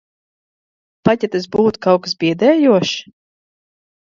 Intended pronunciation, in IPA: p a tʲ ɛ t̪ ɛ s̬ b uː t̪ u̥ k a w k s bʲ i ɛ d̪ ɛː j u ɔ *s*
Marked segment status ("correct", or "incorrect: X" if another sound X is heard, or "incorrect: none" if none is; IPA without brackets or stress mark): incorrect: ʃ